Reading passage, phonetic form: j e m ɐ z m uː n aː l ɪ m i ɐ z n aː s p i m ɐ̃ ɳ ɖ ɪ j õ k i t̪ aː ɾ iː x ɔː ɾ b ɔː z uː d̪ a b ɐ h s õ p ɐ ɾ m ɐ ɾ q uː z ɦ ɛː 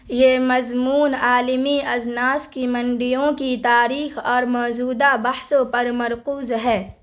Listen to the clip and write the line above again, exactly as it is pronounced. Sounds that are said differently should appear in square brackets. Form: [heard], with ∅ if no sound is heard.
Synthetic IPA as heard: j e m ɐ z m uː n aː l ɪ m i ɐ z n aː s [k] i m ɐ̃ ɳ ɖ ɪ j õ k i t̪ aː ɾ iː x ɔː ɾ [m] ɔː z uː d̪ a b ɐ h s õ p ɐ ɾ m ɐ ɾ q uː z ɦ ɛː